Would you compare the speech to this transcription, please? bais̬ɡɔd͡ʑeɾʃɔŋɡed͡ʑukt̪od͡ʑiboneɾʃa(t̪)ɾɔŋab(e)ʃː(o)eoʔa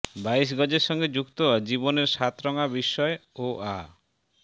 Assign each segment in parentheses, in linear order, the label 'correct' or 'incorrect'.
correct, incorrect: i, incorrect: ɔ

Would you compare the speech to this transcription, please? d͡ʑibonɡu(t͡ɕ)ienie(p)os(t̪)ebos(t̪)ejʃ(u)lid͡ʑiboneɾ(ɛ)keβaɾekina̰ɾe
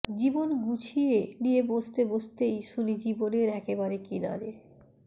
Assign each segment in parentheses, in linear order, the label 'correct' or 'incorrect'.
incorrect: t͡ɕʰ, incorrect: b, correct, correct, correct, correct

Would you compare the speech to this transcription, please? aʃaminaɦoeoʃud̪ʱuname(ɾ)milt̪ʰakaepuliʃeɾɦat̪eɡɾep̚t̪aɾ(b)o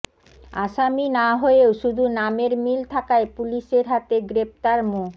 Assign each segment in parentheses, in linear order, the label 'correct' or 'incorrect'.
correct, incorrect: m

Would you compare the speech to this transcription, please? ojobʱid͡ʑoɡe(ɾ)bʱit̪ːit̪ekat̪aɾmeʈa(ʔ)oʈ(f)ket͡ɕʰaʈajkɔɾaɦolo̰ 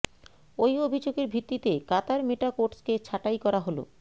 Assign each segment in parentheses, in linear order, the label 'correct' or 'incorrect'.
correct, incorrect: k, incorrect: s

